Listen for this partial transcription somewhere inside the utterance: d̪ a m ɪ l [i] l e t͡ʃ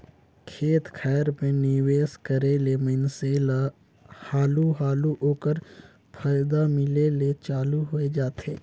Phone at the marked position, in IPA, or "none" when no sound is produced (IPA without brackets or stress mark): e